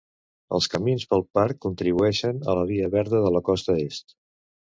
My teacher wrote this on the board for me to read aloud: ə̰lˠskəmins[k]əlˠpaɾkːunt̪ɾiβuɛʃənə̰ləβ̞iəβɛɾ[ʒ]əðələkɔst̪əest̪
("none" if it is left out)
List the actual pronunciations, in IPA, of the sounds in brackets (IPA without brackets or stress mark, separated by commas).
p, ð